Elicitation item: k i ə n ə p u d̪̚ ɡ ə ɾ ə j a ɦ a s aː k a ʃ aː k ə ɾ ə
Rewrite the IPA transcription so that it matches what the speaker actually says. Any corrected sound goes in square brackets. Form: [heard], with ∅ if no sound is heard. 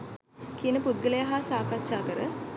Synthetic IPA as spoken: k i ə n ə p u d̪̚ ɡ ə [l] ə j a ɦ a s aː k a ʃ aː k ə ɾ ə